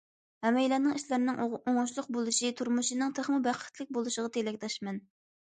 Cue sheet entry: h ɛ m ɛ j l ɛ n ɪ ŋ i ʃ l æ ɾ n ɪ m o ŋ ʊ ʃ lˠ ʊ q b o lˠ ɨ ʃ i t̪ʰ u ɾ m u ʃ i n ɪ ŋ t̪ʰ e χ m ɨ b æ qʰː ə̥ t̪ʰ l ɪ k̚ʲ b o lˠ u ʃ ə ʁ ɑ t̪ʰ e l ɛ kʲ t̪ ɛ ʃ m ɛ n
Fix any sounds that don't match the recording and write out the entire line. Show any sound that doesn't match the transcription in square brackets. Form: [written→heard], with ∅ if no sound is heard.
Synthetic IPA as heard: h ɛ m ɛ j l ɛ n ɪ ŋ i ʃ l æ ɾ n ɪ [m→ŋ] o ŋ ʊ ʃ lˠ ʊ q b o lˠ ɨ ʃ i t̪ʰ u ɾ m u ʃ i n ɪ ŋ t̪ʰ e χ m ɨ b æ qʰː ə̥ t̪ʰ l ɪ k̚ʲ b o lˠ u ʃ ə ʁ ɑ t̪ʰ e l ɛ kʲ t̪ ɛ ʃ m ɛ n